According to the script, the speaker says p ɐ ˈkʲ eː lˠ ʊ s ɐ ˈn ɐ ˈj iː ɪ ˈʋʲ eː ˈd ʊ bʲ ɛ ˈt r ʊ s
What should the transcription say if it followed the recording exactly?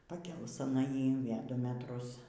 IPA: p ɐ ˈkʲ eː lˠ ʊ s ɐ ˈn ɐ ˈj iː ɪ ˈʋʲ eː ˈd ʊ mʲ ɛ ˈt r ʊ s